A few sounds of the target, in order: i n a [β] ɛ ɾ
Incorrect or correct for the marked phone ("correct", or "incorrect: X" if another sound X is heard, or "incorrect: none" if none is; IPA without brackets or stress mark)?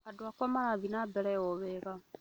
incorrect: b